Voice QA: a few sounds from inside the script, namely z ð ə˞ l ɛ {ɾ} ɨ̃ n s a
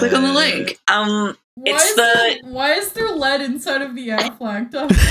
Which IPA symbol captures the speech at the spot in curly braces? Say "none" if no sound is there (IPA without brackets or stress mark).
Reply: ɾ